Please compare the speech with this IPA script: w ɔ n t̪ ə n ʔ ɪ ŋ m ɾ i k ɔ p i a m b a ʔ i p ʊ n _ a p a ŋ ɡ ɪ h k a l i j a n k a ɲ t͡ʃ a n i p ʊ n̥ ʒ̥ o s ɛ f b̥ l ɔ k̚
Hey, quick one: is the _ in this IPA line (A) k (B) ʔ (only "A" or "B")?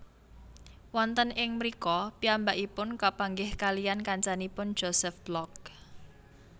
A